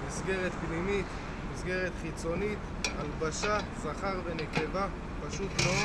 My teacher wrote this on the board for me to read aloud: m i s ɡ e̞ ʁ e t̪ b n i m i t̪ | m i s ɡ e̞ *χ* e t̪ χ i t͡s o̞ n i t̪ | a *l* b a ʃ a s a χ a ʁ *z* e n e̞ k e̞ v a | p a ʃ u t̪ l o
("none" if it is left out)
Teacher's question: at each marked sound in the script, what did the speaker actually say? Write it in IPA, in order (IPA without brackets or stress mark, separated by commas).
ʁ, l, v